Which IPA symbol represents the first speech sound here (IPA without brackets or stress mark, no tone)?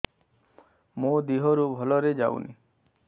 m